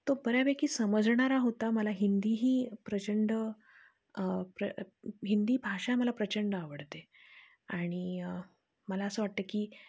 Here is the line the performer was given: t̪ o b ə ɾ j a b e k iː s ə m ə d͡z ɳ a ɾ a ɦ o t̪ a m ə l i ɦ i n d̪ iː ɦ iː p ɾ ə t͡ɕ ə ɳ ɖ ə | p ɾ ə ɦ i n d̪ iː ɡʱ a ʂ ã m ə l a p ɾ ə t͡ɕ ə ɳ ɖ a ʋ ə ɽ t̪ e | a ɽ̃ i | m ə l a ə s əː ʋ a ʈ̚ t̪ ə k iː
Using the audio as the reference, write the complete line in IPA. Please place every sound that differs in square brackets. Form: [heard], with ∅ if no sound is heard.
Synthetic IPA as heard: t̪ o b ə ɾ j a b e k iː s ə m ə d͡z ɳ a ɾ a ɦ o t̪ a m ə l [a] ɦ i n d̪ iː ɦ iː p ɾ ə t͡ɕ ə ɳ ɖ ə | p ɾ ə ɦ i n d̪ iː [bʱ] a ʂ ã m ə l a p ɾ ə t͡ɕ ə ɳ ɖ a ʋ ə ɽ t̪ e | a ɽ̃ i | m ə l a ə s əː ʋ a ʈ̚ t̪ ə k iː